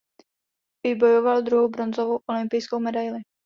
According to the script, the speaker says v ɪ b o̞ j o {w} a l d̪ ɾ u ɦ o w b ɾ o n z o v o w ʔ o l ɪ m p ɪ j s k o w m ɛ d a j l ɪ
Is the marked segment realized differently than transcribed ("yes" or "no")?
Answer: yes